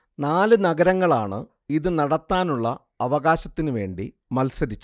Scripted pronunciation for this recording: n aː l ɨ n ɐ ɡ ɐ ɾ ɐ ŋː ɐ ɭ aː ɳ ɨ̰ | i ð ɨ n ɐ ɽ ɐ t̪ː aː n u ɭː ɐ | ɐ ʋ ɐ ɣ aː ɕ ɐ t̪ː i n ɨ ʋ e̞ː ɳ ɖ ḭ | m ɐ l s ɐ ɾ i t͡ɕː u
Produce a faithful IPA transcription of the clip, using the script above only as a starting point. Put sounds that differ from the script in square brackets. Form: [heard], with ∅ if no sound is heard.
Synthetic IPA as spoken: n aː l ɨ n ɐ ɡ ɐ ɾ ɐ ŋː ɐ ɭ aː ɳ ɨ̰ | i ð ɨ n ɐ ɽ ɐ t̪ː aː n u ɭː ɐ | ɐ ʋ ɐ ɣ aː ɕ ɐ t̪ː i n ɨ ʋ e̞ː ɳ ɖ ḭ | m ɐ l s ɐ ɾ i t͡ɕː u

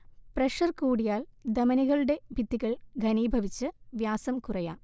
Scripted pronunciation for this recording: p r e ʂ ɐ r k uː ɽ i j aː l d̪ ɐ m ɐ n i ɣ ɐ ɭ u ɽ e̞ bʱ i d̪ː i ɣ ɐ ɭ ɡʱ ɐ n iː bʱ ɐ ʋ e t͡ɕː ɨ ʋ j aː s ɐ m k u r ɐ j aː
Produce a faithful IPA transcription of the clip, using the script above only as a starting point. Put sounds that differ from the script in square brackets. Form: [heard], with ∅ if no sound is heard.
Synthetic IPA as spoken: p r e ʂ ɐ r k uː ɽ i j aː l d̪ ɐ m ɐ n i ɣ ɐ ɭ u ɽ e̞ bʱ i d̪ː i ɣ ɐ ɭ ɡʱ ɐ n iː bʱ ɐ ʋ [i] t͡ɕː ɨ ʋ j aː s ɐ m k u r ɐ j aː

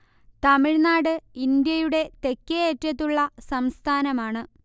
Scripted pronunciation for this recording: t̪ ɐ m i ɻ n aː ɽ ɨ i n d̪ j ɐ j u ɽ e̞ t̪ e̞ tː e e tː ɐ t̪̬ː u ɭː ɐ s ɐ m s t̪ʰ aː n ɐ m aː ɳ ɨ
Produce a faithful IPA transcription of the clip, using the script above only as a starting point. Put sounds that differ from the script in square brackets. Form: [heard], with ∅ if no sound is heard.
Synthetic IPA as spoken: t̪ ɐ m i ɻ n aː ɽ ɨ i n d̪ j ɐ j u ɽ e̞ t̪ e̞ [kː] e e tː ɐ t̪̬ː u ɭː ɐ s ɐ m s t̪ʰ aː n ɐ m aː ɳ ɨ

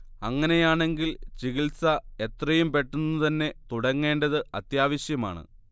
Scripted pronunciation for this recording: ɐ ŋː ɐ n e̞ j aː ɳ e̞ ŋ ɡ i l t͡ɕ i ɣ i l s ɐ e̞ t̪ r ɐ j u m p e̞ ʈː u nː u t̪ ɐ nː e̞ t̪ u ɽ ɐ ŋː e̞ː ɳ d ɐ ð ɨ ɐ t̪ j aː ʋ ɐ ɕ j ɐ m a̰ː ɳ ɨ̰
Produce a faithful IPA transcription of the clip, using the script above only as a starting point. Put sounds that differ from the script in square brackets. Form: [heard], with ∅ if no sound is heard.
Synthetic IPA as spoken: ɐ ŋː ɐ n e̞ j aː ɳ e̞ ŋ ɡ i l t͡ɕ i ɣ i l s ɐ e̞ t̪ r ɐ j u m p e̞ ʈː u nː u t̪ ɐ nː e̞ t̪ u ɽ ɐ ŋː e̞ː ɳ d ɐ ð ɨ ɐ t̪ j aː ʋ ɐ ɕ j ɐ m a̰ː ɳ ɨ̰

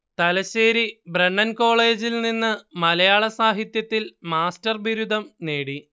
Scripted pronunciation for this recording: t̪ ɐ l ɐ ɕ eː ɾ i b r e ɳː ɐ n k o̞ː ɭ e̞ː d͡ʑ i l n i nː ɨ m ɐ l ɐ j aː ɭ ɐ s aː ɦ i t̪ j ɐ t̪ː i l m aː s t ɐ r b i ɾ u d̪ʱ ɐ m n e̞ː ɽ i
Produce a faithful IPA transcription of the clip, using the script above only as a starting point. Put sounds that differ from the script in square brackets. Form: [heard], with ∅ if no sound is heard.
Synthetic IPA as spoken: t̪ ɐ l ɐ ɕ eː ɾ i b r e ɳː ɐ n k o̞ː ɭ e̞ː d͡ʑ i l n i nː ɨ m ɐ l ɐ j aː ɭ ɐ s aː ɦ i t̪ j ɐ t̪ː i l m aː s t ɐ r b i ɾ u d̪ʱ ɐ m n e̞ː ɽ i

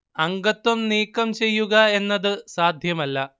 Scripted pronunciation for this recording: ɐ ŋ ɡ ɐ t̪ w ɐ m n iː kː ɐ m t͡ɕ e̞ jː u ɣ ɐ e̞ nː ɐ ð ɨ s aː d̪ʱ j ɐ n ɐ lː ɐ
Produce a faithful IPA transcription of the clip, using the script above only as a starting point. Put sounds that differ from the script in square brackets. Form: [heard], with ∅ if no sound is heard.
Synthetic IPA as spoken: ɐ ŋ ɡ ɐ t̪ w ɐ m n iː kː ɐ m t͡ɕ e̞ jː u ɣ ɐ e̞ nː ɐ ð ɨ s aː d̪ʱ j ɐ [m] ɐ lː ɐ

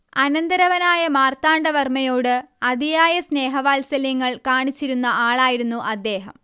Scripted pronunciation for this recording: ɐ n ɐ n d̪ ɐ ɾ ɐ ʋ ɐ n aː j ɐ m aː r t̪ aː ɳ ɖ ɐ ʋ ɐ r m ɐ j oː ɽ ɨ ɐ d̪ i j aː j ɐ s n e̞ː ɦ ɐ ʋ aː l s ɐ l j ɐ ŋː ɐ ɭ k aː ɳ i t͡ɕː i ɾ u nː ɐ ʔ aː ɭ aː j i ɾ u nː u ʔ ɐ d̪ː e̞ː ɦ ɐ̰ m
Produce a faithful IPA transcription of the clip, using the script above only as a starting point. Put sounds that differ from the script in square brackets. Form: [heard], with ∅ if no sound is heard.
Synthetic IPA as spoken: ɐ n ɐ n d̪ ɐ ɾ ɐ ʋ ɐ n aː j ɐ m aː r t̪ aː ɳ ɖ ɐ ʋ ɐ r m ɐ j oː ɽ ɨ ɐ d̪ i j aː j ɐ s n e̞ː ɦ ɐ ʋ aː l s ɐ l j ɐ ŋː ɐ ɭ k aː ɳ i t͡ɕː i ɾ u nː ɐ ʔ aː ɭ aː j i ɾ u nː u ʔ ɐ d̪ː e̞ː ɦ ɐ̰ m

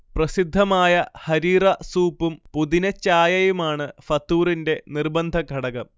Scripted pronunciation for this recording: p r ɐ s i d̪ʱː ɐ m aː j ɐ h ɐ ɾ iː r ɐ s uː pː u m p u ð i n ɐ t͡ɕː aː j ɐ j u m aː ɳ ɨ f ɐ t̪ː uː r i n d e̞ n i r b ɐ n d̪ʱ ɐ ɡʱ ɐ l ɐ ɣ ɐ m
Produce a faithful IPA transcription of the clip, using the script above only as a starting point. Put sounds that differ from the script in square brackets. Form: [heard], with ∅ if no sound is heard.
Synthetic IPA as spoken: p r ɐ s i d̪ʱː ɐ m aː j ɐ h ɐ ɾ iː r ɐ s uː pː u m p u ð i n ɐ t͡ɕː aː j ɐ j u m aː ɳ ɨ f ɐ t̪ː uː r i n d e̞ n i r b ɐ n d̪ʱ ɐ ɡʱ ɐ [ɽ] ɐ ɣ ɐ m

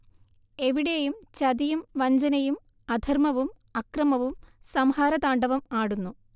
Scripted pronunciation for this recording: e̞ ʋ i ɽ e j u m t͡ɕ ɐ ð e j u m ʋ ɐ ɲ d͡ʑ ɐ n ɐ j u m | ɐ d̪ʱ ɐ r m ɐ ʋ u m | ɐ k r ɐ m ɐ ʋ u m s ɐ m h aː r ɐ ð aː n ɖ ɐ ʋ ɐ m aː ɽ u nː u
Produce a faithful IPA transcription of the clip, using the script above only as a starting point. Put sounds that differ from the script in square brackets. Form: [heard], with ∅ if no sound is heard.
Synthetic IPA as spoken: e̞ ʋ i ɽ e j u m t͡ɕ ɐ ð [i] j u m ʋ ɐ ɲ d͡ʑ ɐ n ɐ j u m | ɐ d̪ʱ ɐ r m ɐ ʋ u m | ɐ k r ɐ m ɐ ʋ u m s ɐ m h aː [ɾ] ɐ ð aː [ɳ] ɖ ɐ ʋ ɐ m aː ɽ u nː u

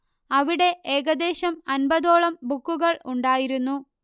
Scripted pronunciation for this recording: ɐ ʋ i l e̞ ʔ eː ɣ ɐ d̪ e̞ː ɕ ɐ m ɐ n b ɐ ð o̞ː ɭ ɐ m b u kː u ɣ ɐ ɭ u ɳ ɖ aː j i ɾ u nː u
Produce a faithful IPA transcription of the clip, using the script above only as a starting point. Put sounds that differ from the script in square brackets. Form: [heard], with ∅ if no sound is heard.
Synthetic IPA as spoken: ɐ ʋ i [ɽ] e̞ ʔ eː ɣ ɐ d̪ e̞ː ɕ ɐ m ɐ n b ɐ ð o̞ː ɭ ɐ m b u kː u ɣ ɐ ɭ u ɳ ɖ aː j i ɾ u nː u

